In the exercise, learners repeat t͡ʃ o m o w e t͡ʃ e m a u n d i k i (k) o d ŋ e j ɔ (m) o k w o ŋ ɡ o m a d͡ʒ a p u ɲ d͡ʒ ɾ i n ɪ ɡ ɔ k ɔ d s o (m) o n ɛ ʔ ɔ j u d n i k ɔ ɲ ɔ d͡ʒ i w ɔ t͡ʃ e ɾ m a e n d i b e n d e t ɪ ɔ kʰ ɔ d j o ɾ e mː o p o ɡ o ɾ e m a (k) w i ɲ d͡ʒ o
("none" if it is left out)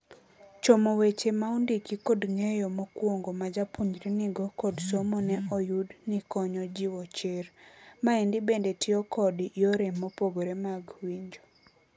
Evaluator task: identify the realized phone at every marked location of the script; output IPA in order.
k, m, m, ɡ

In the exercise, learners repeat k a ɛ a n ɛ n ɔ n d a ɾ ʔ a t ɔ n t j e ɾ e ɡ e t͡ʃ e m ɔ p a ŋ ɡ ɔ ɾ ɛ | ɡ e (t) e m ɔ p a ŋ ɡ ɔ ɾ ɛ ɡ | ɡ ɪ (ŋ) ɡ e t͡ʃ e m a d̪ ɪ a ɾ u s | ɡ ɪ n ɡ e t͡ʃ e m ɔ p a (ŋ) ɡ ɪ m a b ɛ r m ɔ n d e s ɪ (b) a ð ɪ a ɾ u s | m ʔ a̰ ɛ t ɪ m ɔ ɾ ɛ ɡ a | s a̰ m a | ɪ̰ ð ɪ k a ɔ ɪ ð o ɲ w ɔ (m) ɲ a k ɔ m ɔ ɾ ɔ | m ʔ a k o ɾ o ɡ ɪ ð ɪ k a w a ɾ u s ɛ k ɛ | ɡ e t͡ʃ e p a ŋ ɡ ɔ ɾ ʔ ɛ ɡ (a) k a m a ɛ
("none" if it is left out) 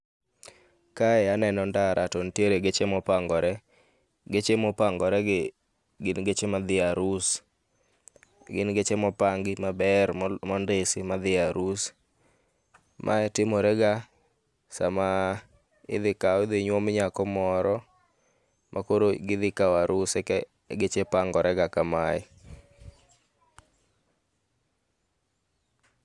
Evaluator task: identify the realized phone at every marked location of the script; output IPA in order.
t͡ʃ, n, ŋ, m, m, a

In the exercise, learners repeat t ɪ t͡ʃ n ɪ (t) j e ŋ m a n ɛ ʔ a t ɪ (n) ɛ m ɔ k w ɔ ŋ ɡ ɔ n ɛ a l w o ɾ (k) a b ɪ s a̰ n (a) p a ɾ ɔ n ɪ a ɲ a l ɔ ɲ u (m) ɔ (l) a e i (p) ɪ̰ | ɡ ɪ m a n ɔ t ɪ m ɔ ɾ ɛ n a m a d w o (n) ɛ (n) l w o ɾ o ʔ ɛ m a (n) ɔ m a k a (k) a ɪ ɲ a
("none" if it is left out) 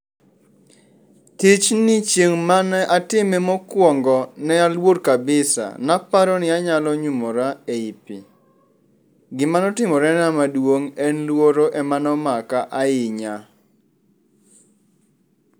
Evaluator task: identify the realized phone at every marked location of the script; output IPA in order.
t͡ʃ, m, k, a, m, ɾ, p, ŋ, n, n, ʔ

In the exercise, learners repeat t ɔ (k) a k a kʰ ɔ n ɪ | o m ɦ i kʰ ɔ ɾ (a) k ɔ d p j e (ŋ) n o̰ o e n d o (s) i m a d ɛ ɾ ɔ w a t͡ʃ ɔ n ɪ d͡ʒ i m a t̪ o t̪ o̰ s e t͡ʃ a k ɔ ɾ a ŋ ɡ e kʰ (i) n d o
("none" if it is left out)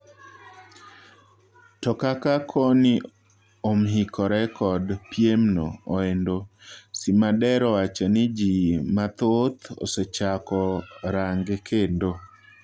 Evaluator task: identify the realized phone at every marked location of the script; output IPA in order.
k, ɛ, m, s, e

